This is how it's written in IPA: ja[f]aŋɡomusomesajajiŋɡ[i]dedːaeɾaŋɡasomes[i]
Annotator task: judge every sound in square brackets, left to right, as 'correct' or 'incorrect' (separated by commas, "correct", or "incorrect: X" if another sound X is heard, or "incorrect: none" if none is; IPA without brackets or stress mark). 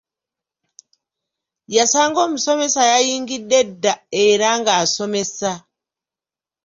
incorrect: s, correct, incorrect: a